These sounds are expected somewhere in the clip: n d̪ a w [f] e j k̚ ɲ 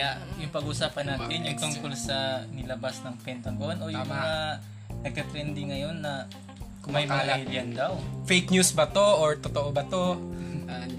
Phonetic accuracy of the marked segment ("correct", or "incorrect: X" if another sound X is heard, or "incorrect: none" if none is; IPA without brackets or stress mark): correct